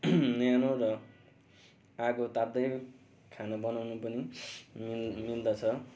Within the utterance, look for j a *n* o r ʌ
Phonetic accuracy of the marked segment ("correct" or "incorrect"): correct